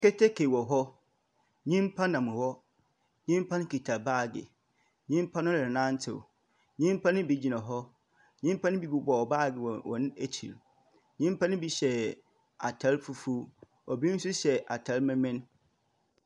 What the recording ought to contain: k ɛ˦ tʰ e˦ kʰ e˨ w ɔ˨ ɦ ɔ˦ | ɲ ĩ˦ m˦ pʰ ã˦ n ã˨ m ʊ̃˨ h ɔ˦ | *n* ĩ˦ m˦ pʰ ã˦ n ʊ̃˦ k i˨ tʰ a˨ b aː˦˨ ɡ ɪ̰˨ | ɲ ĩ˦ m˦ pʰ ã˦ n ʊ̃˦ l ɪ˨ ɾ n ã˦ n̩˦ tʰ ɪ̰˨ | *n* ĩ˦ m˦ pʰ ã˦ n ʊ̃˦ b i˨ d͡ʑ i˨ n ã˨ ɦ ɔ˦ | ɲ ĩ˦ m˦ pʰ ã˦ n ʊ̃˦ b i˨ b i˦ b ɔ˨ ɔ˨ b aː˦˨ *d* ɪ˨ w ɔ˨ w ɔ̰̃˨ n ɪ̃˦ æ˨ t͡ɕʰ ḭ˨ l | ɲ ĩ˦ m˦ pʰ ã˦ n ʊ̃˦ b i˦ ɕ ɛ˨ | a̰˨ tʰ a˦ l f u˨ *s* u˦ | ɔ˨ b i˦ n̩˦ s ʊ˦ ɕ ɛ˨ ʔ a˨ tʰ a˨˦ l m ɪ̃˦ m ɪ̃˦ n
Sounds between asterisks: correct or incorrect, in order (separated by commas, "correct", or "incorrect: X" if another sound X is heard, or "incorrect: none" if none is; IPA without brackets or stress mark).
incorrect: ɲ, incorrect: ɲ, incorrect: ɡ, incorrect: f